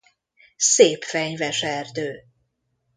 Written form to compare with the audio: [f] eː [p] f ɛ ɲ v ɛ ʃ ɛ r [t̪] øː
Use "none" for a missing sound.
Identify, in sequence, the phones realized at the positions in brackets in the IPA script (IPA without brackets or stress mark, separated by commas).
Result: s, p, d̪